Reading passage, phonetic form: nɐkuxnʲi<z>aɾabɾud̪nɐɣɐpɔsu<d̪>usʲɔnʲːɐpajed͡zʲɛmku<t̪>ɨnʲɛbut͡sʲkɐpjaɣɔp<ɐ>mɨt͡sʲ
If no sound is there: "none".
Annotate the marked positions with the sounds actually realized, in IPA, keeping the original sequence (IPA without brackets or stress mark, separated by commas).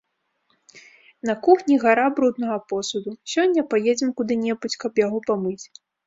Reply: ɣ, d̪, d̪, a